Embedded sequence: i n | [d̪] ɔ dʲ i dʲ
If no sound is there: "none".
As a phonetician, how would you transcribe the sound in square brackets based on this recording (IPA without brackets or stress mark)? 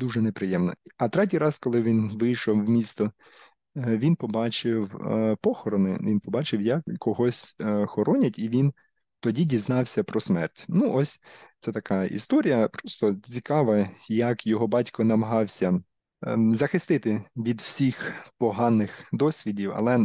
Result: t̪